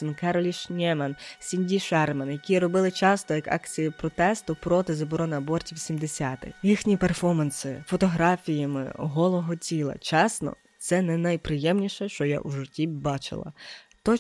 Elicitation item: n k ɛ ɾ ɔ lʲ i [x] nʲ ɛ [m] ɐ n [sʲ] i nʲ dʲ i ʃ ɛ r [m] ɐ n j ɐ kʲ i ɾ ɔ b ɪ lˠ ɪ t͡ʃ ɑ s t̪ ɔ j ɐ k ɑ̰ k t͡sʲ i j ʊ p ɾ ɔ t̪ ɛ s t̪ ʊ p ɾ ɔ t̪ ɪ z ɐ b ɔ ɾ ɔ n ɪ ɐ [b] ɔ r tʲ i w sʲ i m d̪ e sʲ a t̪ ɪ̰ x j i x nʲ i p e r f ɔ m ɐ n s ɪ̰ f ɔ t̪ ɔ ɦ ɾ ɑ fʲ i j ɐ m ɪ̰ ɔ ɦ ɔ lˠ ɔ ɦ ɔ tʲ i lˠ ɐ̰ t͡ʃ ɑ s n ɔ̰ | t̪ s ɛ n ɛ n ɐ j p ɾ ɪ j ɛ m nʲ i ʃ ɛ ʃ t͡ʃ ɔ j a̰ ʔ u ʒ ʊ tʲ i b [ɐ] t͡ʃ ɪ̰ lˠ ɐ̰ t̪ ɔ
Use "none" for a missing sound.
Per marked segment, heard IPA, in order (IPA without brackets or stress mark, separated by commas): ʃ, m, sʲ, m, b, ɑ